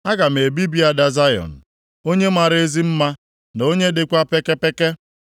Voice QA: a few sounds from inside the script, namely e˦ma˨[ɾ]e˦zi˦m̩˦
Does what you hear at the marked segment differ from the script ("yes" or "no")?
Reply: no